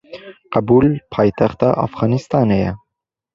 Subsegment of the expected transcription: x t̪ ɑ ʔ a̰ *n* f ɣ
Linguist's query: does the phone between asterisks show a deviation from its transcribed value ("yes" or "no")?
yes